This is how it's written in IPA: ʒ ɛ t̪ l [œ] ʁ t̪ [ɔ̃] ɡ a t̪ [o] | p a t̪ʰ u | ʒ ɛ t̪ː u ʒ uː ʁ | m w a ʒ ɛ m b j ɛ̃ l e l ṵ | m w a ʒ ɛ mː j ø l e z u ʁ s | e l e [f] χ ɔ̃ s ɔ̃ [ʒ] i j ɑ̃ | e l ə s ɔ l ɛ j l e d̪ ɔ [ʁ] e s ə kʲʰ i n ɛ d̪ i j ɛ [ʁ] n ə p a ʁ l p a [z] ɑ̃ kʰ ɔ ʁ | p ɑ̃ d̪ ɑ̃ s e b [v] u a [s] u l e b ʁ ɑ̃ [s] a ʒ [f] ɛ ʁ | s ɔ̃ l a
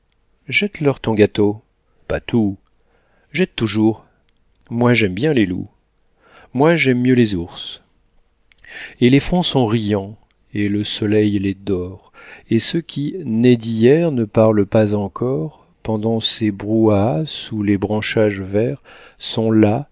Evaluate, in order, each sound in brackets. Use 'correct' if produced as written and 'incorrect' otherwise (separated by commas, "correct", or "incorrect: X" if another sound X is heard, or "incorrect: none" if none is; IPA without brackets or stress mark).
correct, correct, correct, correct, incorrect: ʁ, correct, correct, correct, incorrect: ʁ, correct, incorrect: ʃ, incorrect: v